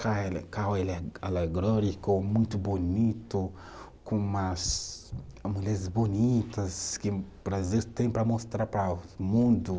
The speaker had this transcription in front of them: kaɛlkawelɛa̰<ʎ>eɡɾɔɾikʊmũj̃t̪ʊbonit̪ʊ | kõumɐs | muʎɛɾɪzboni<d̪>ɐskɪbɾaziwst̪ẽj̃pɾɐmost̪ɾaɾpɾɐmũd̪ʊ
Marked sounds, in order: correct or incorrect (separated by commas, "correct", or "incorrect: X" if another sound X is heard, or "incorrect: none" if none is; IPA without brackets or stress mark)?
incorrect: l, incorrect: t̪